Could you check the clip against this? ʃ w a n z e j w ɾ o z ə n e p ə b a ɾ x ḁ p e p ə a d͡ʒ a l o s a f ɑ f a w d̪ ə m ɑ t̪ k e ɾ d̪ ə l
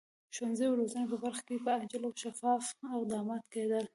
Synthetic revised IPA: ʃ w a n z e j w ɾ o z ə n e p ə b a ɾ x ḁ k e p ə a d͡ʒ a l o ʃ a f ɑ f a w d̪ ɑ m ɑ t̪ k e d̪ ə l